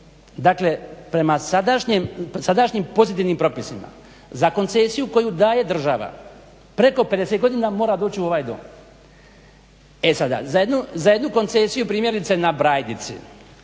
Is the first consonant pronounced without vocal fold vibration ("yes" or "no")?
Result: no